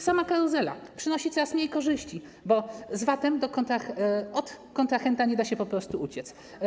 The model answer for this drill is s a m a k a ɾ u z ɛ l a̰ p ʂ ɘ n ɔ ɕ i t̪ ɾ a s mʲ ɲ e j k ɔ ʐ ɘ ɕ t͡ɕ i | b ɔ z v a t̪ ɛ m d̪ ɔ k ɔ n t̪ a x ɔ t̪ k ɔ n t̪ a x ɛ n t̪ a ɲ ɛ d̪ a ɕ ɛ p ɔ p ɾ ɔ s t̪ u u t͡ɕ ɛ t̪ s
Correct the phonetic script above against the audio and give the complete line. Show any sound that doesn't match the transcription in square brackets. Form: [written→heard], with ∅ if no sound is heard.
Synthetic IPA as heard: s a m a k a ɾ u z ɛ l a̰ p ʂ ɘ n ɔ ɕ i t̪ ɾ a s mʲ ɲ e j k ɔ ʐ ɘ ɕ t͡ɕ i | b ɔ z v a t̪ ɛ m d̪ ɔ k ɔ n t̪ a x ɔ t̪ k ɔ n t̪ a x ɛ n t̪ a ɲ ɛ d̪ a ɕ ɛ p ɔ p ɾ ɔ s t̪ u u t͡ɕ ɛ t̪ s